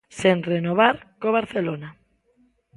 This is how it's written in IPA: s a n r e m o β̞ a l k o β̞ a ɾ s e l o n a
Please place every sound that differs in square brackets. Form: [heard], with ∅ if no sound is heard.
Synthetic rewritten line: s [e] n r e [n] o β̞ a [ɾ] k o β̞ a ɾ [θ] e l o n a